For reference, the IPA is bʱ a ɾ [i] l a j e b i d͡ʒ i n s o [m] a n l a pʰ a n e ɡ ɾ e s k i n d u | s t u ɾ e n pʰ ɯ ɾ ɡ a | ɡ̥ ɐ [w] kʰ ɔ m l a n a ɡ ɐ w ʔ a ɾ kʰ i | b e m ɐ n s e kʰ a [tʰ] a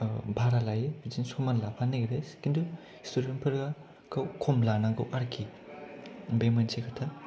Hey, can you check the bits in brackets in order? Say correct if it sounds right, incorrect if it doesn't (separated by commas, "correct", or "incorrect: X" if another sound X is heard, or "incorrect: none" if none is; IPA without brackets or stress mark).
incorrect: a, correct, correct, correct